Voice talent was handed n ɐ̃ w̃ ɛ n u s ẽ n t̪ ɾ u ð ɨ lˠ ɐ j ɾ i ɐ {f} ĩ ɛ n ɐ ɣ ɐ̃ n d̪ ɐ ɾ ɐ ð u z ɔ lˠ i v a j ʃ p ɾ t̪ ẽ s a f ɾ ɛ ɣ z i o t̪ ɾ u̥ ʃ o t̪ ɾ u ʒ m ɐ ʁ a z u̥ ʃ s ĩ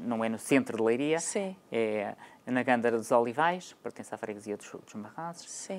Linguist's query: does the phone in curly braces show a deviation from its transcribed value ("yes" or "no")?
yes